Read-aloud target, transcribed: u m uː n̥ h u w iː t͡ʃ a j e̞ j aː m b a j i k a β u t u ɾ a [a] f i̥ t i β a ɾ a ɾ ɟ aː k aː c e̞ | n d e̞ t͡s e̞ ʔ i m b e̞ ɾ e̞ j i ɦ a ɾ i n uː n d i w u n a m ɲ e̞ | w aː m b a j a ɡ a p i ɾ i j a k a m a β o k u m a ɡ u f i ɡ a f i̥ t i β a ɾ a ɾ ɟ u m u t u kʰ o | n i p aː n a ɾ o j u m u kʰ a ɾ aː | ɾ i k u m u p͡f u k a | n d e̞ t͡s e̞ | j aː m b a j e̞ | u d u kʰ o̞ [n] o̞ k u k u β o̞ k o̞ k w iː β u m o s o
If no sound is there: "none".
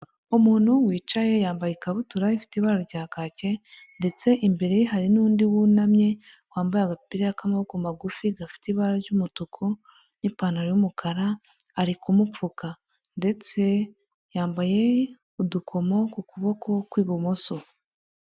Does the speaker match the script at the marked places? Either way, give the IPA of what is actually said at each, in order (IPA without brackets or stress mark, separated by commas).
i, m